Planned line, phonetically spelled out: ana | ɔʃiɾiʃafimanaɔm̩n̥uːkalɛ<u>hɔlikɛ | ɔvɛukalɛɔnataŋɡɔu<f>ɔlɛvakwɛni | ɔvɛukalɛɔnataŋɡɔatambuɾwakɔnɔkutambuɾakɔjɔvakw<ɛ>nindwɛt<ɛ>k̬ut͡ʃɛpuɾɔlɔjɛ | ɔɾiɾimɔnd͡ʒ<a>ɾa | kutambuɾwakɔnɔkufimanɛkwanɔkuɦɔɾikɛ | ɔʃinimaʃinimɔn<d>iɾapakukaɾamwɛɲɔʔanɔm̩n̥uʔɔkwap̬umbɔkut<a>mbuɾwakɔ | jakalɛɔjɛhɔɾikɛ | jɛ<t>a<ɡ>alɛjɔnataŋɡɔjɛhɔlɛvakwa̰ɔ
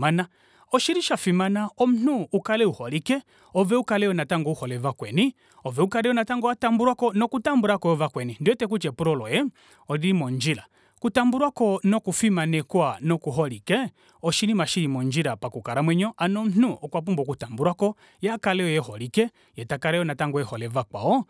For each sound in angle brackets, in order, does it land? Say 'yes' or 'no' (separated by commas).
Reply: yes, no, yes, yes, no, no, yes, yes, no